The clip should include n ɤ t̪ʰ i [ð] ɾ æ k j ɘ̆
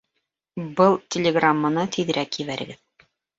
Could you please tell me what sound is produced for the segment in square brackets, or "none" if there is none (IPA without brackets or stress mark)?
ð